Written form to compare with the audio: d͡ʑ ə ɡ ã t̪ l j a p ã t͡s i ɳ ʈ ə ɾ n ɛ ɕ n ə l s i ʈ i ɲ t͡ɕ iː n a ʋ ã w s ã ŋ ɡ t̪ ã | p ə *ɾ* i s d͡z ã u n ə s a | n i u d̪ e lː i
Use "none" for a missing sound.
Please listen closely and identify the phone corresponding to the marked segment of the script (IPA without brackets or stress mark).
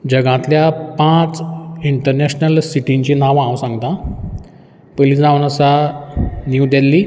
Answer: l